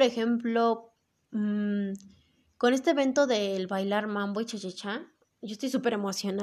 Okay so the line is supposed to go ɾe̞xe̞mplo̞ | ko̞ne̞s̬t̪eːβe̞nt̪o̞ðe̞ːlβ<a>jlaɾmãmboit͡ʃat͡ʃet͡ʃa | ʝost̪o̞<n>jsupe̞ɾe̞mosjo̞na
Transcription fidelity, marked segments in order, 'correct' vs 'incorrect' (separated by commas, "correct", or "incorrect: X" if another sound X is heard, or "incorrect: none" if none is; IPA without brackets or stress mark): correct, incorrect: none